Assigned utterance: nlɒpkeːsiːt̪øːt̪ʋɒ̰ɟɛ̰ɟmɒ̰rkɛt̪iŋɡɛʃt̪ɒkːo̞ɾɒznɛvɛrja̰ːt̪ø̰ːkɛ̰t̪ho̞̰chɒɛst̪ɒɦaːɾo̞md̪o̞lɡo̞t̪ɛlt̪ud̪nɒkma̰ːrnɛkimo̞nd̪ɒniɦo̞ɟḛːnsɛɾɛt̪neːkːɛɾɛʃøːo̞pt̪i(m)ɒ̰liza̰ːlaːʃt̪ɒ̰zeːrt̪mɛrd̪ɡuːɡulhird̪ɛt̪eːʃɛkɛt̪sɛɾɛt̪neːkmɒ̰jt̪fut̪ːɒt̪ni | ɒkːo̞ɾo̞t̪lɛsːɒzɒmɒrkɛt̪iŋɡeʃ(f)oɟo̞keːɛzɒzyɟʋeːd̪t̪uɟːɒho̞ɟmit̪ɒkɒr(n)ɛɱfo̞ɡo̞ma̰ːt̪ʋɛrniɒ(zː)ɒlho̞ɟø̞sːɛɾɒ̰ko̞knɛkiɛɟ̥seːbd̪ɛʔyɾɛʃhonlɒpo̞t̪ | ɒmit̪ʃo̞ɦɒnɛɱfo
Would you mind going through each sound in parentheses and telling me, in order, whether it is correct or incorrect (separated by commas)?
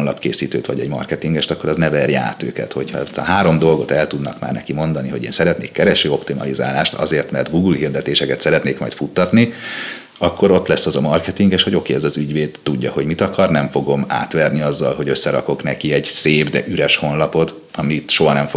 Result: correct, incorrect, correct, correct